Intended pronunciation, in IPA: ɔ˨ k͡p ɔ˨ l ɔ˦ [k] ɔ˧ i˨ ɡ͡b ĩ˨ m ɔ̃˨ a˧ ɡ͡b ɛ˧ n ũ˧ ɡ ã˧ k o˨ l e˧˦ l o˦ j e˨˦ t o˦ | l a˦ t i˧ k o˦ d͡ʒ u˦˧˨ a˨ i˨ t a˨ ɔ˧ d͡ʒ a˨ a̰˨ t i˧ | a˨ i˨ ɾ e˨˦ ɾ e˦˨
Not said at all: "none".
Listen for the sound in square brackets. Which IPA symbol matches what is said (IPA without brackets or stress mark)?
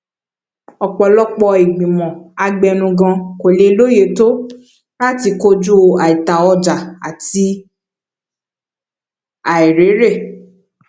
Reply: k͡p